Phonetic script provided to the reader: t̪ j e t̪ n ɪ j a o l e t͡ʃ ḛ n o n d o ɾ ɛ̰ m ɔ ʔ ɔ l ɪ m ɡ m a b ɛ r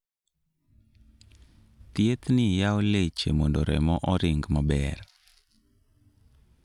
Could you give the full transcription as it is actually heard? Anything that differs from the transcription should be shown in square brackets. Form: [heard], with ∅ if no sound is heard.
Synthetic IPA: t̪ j e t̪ n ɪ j a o l e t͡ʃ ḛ [m] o n d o ɾ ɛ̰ m ɔ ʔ ɔ [ɾ] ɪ [ŋ] ɡ m a b ɛ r